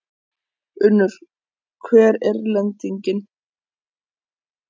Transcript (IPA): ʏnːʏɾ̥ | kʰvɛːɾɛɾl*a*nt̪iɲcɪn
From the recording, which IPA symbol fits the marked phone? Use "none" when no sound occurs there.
ɛ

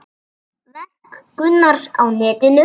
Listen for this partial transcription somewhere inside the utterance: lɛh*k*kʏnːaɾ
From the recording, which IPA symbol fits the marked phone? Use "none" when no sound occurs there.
k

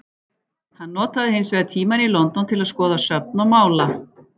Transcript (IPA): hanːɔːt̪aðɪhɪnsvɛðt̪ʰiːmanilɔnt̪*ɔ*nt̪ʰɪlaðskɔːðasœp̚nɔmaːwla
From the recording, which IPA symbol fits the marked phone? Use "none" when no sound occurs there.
ɔ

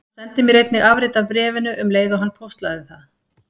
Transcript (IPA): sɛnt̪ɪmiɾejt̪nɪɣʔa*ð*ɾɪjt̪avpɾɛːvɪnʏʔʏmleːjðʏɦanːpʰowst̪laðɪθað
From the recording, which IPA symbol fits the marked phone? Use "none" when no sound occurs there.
v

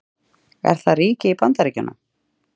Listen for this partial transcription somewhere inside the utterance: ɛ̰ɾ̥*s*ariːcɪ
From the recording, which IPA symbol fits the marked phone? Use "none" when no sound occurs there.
θ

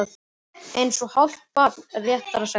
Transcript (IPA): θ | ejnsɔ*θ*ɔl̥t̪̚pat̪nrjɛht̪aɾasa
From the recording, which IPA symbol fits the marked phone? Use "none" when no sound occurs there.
h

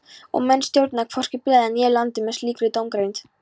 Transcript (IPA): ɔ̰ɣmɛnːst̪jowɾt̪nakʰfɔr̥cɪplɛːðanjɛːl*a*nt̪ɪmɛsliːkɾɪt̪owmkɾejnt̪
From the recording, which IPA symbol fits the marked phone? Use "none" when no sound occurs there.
a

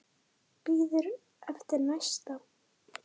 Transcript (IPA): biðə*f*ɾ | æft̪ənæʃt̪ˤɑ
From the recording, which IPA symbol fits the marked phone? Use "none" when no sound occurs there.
none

